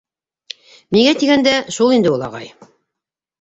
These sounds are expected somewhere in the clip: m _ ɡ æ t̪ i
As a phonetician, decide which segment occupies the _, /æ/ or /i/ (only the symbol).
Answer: i